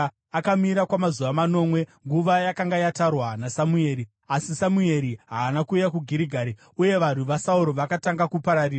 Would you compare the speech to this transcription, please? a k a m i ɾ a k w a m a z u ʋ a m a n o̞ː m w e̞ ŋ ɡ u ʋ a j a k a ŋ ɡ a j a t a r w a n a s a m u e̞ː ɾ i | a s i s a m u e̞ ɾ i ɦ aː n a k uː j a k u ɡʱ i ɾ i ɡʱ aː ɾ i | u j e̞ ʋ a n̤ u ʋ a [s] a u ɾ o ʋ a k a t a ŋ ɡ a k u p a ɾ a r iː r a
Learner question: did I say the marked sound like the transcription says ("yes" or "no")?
yes